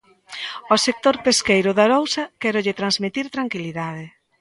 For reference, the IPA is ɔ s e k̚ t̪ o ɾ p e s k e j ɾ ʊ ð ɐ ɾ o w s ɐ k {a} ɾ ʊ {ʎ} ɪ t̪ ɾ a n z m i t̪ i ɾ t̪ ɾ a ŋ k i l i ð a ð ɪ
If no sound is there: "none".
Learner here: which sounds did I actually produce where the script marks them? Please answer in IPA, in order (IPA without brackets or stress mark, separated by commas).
ɛ, ʎ